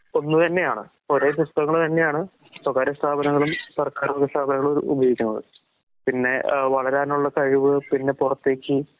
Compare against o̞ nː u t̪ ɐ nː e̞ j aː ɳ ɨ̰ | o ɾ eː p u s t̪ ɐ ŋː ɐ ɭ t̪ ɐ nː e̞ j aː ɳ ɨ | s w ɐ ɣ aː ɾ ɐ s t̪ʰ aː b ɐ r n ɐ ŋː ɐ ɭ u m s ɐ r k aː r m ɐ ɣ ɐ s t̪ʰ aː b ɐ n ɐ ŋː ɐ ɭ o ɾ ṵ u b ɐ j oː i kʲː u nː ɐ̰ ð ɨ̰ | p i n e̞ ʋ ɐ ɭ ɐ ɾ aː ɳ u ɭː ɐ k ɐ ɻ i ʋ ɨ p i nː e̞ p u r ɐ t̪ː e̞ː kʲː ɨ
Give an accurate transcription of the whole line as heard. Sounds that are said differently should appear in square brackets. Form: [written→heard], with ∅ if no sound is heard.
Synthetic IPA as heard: o̞ nː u t̪ ɐ nː e̞ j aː ɳ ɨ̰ | o ɾ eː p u s t̪ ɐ ŋː ɐ ɭ t̪ ɐ nː e̞ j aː ɳ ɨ | s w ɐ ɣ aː ɾ ɐ s t̪ʰ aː b ɐ [r→∅] n ɐ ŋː ɐ ɭ u m s ɐ r k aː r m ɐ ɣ ɐ s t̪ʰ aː b ɐ n ɐ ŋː ɐ ɭ o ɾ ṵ u b ɐ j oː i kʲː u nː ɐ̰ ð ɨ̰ | p i [n→nː] e̞ ʋ ɐ ɭ ɐ ɾ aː [ɳ→n] u ɭː ɐ k ɐ ɻ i ʋ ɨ p i nː e̞ p u r ɐ t̪ː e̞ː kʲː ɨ